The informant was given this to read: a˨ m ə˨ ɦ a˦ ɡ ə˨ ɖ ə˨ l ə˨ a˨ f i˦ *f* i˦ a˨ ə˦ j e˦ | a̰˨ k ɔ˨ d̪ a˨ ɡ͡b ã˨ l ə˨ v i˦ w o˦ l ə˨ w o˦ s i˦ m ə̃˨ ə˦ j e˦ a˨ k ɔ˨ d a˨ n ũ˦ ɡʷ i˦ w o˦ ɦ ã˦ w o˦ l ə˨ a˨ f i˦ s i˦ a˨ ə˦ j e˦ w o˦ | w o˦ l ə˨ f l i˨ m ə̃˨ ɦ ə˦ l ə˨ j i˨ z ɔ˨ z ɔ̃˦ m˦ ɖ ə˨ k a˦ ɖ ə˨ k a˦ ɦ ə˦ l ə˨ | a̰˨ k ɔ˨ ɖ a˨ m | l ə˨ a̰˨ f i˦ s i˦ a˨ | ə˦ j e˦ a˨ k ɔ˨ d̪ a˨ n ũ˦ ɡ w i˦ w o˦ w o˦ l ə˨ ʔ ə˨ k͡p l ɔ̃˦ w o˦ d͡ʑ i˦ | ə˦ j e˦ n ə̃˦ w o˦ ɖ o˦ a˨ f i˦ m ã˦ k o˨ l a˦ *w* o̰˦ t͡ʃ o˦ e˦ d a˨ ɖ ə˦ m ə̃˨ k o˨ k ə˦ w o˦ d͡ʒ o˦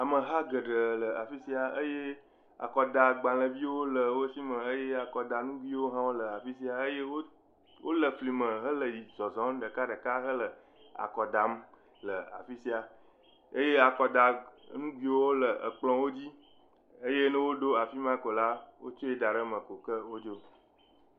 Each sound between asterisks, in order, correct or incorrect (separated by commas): incorrect, correct